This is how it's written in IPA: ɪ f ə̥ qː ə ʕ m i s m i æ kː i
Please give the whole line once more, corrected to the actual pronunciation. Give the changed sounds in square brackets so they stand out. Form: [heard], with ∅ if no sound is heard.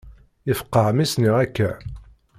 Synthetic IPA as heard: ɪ f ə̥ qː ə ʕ m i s [n] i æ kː [æ]